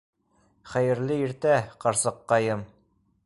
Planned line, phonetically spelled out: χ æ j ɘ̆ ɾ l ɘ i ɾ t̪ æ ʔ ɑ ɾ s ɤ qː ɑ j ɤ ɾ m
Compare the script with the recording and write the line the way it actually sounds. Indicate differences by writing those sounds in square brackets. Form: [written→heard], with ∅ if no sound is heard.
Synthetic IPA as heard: χ æ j ɘ̆ ɾ l ɘ i ɾ t̪ æ [ʔ→q] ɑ ɾ s ɤ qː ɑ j ɤ [ɾ→∅] m